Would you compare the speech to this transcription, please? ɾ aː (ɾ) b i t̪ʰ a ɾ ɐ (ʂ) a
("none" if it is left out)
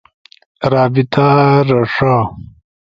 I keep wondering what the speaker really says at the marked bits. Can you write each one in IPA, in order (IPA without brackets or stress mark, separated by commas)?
none, ʂ